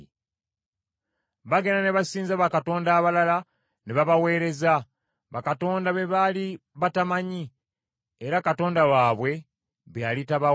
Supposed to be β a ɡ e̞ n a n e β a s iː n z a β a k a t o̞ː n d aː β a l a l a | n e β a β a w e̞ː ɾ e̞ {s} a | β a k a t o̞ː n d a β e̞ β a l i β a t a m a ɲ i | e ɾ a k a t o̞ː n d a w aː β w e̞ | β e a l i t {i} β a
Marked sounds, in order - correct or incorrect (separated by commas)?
incorrect, incorrect